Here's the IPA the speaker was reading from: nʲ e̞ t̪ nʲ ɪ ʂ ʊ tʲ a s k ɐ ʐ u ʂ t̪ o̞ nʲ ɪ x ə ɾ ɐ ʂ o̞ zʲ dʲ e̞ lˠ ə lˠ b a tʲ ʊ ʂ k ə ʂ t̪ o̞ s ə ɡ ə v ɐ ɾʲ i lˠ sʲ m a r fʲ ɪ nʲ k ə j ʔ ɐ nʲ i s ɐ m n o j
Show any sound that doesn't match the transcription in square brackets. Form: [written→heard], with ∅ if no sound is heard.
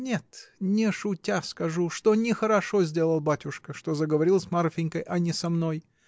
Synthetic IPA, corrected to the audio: nʲ e̞ t̪ nʲ ɪ ʂ ʊ tʲ a s k ɐ ʐ u ʂ t̪ o̞ nʲ ɪ x ə ɾ ɐ ʂ o̞ zʲ dʲ e̞ lˠ ə lˠ b a tʲ ʊ ʂ k ə ʂ t̪ o̞ [s→z] ə ɡ ə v ɐ ɾʲ i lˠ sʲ m a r fʲ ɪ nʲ k ə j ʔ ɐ nʲ [i→ɪ] s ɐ m n o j